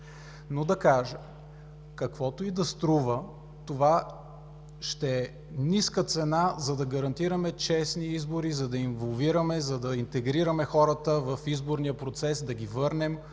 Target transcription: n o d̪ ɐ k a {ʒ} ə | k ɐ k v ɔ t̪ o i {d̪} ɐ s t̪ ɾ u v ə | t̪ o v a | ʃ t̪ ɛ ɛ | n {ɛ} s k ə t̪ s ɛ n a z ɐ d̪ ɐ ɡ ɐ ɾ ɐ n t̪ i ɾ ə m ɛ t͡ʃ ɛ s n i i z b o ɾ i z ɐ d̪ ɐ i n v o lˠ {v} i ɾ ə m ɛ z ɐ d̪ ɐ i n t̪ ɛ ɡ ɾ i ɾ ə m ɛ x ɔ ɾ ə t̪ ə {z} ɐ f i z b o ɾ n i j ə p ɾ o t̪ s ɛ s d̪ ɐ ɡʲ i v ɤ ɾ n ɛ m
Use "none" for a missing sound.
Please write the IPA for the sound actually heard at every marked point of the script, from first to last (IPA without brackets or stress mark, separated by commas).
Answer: ʒ, d̪, i, v, v